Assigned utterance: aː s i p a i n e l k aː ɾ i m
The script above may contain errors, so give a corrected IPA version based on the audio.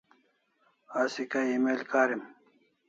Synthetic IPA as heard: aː s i k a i m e l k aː ɾ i m